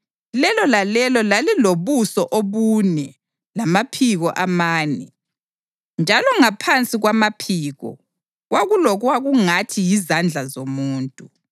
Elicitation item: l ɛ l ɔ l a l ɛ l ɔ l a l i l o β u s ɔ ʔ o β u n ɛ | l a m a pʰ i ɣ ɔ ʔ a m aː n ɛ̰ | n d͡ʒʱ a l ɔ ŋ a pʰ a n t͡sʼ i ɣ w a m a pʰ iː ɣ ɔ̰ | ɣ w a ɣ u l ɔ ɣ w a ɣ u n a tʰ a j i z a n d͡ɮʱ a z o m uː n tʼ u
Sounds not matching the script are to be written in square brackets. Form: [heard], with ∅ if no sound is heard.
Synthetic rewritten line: l ɛ l ɔ l a l ɛ l ɔ l a l i l o β u s ɔ ʔ o β u n ɛ | l a m a pʰ i ɣ ɔ ʔ a m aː n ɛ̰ | n d͡ʒʱ a l ɔ ŋ a pʰ a n t͡sʼ i ɣ w a m a pʰ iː ɣ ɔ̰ | ɣ w a ɣ u l ɔ ɣ w a ɣ u [ŋ] a tʰ [i] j i z a n d͡ɮʱ a z o m uː n tʼ u